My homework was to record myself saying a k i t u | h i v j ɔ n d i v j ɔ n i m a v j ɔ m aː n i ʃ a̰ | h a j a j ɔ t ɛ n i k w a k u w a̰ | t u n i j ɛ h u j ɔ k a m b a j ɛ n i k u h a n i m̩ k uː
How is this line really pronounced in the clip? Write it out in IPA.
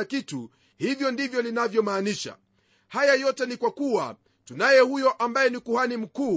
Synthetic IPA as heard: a k i t u | h i v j ɔ n d i v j ɔ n i n a v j ɔ m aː n i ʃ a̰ | h a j a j ɔ t ɛ n i k w a k u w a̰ | t u n a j ɛ h u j ɔ ʔ a m b a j ɛ n i k u h a n i m̩ k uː